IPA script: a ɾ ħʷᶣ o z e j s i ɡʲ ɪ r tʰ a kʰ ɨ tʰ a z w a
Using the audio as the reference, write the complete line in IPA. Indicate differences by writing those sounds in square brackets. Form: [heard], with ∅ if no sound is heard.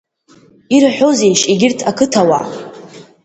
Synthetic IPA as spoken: [i] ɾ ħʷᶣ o z e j [ʃ] i ɡʲ ɪ r tʰ a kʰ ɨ tʰ a [∅] w a